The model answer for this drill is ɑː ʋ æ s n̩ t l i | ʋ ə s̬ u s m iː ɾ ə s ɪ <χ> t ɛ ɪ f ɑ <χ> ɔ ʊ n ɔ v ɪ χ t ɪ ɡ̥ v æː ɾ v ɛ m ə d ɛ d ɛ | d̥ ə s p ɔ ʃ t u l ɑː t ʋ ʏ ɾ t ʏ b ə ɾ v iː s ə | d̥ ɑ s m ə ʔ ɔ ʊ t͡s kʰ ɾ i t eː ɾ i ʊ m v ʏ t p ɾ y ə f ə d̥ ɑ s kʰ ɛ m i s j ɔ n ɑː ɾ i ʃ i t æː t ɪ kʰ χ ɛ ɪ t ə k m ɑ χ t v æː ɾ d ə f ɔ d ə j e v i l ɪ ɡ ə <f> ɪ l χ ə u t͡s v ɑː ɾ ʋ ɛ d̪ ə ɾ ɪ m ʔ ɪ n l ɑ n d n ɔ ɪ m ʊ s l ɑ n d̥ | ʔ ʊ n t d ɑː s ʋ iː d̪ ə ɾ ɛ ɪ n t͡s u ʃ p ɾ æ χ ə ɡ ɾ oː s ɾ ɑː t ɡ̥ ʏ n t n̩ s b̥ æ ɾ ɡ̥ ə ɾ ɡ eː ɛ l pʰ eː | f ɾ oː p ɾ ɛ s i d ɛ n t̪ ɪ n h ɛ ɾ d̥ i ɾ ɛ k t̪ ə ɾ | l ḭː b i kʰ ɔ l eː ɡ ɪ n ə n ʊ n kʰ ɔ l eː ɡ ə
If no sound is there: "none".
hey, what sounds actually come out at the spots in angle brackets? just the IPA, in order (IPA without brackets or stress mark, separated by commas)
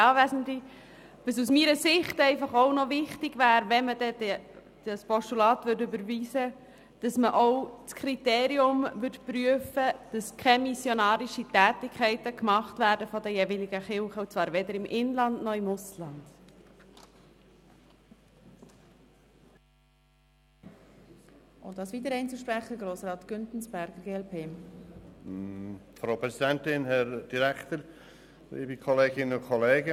χ, χ, χ